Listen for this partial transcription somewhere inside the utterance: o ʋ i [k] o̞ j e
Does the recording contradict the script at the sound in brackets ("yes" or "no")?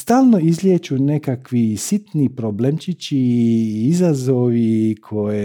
yes